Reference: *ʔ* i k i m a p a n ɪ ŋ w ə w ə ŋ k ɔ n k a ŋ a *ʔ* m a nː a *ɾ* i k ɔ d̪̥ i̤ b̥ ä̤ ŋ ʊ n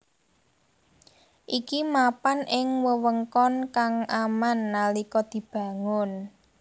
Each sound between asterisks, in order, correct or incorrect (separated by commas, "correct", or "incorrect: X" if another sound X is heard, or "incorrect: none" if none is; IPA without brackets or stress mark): correct, incorrect: none, incorrect: l